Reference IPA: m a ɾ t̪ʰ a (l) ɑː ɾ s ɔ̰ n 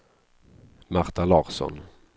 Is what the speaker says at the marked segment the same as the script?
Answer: yes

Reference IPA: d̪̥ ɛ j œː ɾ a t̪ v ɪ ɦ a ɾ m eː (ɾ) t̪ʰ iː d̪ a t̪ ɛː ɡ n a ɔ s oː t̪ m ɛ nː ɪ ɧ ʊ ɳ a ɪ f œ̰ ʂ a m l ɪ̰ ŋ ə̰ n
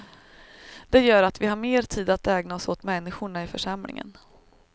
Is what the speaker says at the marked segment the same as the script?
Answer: yes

